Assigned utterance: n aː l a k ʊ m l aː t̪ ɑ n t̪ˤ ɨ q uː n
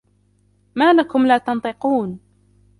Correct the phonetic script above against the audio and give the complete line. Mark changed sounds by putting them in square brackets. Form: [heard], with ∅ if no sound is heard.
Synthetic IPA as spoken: [m] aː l a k ʊ m l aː t̪ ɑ n t̪ˤ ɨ q uː n